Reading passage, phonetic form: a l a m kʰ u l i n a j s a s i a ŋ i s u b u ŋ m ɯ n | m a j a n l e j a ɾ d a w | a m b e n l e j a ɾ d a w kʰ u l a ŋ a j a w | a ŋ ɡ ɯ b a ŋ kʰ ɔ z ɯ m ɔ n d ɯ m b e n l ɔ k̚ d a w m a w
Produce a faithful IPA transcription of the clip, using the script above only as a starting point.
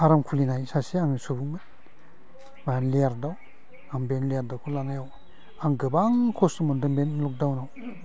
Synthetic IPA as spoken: a ɾ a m kʰ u l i n a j s a s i a ŋ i s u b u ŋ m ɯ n | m a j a n l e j a ɾ d a w | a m b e n l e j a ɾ d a w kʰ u l a n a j a w | a ŋ ɡ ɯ b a ŋ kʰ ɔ s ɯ m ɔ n d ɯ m b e n l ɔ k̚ d a w n a w